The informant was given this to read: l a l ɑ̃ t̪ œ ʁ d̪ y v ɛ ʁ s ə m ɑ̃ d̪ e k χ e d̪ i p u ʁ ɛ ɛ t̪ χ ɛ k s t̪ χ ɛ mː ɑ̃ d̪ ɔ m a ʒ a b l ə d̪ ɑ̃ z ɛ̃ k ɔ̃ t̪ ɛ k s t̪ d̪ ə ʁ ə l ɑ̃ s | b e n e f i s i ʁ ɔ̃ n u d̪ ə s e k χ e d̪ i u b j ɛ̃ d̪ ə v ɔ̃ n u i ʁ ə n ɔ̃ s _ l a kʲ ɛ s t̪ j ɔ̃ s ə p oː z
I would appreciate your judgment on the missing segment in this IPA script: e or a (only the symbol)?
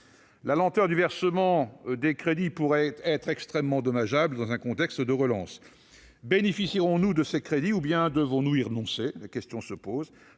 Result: e